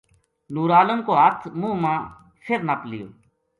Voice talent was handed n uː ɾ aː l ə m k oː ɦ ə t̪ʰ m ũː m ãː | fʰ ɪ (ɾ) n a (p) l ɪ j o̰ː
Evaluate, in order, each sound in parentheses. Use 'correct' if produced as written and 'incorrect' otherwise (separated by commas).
correct, correct